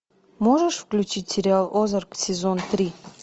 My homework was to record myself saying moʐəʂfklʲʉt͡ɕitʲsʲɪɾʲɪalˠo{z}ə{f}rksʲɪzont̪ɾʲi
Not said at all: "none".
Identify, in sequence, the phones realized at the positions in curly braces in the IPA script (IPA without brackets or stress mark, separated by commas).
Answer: z, none